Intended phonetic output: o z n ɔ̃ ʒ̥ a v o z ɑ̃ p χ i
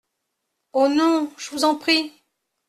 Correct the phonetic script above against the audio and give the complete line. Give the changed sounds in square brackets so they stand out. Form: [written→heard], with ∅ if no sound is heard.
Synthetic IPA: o [z→∅] n ɔ̃ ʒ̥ [a→ə] v [o→u] z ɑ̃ p χ i